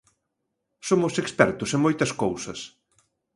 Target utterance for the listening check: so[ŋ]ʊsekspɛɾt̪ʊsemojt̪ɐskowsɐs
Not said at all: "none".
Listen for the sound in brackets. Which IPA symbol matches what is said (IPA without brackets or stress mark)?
m